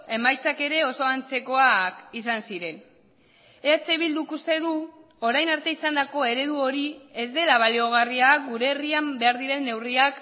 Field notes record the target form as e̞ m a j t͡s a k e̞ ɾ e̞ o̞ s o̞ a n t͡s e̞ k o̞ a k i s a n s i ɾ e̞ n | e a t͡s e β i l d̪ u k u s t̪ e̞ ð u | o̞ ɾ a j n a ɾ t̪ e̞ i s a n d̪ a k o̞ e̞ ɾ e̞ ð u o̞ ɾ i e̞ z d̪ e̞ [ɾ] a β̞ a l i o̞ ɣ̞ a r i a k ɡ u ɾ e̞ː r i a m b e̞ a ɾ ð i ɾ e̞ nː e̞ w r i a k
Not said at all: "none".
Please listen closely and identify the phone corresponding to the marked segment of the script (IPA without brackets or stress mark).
l